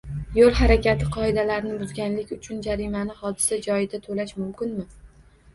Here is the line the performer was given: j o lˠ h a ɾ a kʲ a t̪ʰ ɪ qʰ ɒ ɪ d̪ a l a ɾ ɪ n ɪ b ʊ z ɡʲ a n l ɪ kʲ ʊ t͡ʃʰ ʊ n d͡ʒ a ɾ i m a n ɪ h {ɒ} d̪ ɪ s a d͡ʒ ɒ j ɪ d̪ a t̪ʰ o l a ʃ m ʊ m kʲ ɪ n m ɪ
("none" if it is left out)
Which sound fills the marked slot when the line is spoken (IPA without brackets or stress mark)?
ɒ